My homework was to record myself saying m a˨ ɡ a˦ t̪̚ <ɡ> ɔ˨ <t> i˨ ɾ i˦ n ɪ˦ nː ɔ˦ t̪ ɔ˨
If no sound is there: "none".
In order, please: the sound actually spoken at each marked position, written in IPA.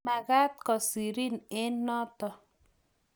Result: k, s

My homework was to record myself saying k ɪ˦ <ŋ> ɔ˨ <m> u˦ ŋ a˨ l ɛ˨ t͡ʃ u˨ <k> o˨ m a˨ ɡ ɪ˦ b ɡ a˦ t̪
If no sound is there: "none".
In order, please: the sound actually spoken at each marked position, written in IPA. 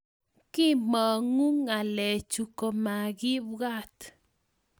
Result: m, ŋ, k

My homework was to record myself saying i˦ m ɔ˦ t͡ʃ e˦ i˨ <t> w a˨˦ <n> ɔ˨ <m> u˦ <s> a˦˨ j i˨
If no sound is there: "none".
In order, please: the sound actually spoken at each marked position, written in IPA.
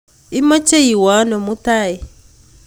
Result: none, n, m, t

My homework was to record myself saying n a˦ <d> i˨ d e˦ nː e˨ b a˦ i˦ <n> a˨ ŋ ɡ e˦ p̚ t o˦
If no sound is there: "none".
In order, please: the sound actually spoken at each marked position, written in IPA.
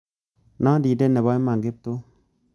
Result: d, m

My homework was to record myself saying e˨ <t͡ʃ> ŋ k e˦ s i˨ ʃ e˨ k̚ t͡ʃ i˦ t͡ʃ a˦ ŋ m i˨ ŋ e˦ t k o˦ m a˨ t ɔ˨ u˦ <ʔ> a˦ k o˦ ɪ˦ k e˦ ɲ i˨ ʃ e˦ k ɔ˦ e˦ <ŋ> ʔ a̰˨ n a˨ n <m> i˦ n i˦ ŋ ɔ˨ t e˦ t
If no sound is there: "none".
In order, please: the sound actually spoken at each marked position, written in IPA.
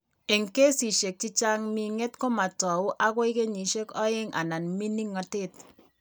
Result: none, ʔ, ŋ, m

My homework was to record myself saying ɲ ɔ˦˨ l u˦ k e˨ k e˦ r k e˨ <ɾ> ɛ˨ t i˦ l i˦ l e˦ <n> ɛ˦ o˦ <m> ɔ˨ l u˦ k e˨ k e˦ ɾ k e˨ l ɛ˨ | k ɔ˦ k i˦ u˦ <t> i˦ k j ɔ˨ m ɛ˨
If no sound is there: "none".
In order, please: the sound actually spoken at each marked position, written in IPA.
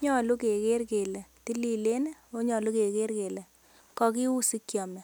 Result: l, n, ɲ, s

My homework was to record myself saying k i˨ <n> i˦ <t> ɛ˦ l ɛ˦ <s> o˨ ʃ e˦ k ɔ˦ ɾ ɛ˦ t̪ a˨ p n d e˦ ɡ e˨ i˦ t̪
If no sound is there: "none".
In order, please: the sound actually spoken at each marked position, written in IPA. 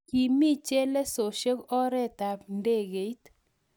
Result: m, t͡ʃ, s

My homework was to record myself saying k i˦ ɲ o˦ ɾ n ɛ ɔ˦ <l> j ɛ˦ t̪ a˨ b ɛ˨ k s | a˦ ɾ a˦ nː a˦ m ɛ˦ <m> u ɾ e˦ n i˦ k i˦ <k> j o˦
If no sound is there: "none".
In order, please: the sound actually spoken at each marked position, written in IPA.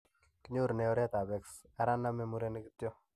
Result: ɾ, m, t

